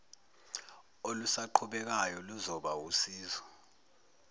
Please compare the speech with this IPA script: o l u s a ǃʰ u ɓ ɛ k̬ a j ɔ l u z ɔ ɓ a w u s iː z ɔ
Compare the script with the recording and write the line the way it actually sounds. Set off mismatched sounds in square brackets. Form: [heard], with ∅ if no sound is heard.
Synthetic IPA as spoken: o l u s a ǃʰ u ɓ ɛ k̬ a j ɔ l u z ɔ ɓ a w u s iː z ɔ